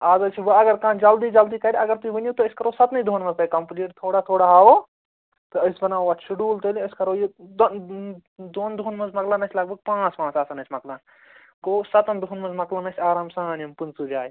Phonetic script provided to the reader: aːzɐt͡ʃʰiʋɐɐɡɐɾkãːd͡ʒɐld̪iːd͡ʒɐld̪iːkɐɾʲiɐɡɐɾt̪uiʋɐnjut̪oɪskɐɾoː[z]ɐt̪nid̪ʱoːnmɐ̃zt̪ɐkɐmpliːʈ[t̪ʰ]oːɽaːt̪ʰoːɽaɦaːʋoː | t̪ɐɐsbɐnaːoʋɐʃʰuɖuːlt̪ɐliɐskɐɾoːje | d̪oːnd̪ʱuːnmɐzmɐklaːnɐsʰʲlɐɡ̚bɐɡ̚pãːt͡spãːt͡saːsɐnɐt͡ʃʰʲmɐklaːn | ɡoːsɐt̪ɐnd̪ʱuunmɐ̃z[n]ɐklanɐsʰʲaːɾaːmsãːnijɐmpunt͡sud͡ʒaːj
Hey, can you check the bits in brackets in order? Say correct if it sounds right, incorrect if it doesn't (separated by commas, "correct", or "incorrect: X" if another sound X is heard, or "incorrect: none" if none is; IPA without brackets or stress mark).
incorrect: s, correct, incorrect: m